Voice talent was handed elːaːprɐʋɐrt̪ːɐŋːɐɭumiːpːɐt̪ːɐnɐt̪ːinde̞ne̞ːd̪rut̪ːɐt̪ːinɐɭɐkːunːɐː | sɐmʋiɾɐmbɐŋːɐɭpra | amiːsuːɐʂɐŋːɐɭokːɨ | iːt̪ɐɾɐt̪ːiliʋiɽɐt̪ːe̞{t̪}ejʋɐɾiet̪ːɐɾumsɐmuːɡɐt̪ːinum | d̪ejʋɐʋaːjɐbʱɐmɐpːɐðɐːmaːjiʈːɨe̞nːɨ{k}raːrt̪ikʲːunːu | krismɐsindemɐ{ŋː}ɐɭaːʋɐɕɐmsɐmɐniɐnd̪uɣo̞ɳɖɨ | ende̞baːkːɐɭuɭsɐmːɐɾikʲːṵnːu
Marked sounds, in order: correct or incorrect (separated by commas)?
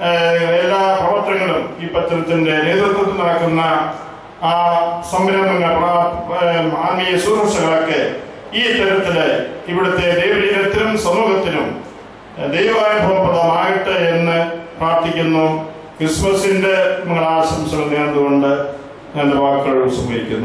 incorrect, incorrect, correct